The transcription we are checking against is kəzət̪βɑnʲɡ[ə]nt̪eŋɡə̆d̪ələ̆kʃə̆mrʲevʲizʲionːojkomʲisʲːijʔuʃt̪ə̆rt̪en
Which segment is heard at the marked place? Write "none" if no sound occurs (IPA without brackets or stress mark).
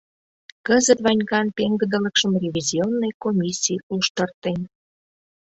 ɑ